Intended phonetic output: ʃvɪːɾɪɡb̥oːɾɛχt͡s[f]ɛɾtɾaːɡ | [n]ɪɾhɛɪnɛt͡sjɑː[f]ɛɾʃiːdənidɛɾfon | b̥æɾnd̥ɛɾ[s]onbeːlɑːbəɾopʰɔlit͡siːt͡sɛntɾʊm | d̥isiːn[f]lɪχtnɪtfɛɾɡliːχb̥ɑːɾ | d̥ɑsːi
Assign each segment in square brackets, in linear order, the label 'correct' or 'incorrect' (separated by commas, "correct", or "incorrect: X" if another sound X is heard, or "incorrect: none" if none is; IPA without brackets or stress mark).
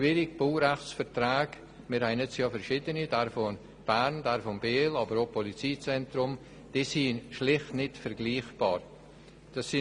correct, incorrect: m, correct, incorrect: f, incorrect: ʃ